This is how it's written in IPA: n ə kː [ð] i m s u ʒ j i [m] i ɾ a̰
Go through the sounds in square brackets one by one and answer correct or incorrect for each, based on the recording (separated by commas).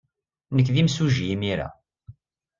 correct, correct